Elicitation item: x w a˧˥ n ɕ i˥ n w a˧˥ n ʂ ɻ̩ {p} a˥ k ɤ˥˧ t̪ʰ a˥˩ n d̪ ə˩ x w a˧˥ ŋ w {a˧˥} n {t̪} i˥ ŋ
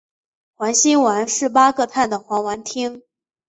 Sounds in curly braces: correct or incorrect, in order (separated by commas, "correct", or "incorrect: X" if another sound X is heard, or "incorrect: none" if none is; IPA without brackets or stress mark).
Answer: correct, correct, incorrect: t̪ʰ